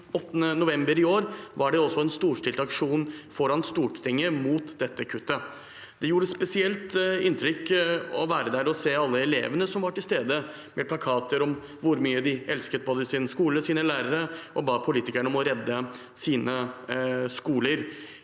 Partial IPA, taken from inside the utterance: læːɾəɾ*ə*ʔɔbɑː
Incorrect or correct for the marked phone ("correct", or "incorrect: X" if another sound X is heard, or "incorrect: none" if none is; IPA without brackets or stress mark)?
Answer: correct